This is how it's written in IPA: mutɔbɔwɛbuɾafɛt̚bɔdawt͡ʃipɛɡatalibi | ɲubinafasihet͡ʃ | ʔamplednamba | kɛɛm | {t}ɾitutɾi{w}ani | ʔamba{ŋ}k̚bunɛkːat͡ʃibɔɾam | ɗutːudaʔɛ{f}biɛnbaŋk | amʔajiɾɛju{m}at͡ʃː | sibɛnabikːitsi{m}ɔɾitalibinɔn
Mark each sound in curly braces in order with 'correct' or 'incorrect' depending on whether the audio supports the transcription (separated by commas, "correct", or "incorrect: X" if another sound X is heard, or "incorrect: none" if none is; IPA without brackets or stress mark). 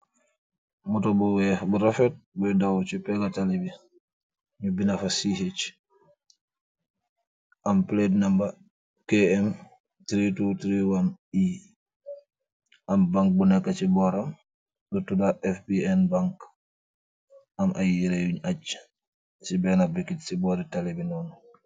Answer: correct, correct, correct, correct, incorrect: ɲ, incorrect: b